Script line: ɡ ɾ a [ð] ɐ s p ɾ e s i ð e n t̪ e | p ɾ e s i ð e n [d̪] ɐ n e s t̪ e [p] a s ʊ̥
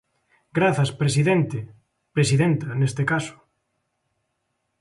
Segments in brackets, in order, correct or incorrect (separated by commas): incorrect, incorrect, incorrect